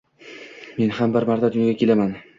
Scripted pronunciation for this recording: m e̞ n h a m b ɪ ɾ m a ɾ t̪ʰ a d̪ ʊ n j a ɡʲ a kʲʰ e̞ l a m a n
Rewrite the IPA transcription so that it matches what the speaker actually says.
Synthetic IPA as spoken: m e̞ n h a m b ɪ ɾ m a ɾ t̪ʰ a d̪ ʊ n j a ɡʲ a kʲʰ e̞ l a m a n